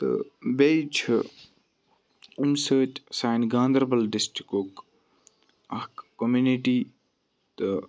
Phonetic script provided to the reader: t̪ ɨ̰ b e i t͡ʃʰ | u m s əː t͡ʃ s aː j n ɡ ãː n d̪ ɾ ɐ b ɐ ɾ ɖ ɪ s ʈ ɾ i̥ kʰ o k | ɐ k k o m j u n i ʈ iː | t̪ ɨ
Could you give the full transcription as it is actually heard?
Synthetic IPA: t̪ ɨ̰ b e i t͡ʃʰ | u m s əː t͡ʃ s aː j n ɡ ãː n d̪ ɾ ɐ b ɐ l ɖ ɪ s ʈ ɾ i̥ k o k | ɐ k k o m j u n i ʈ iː | t̪ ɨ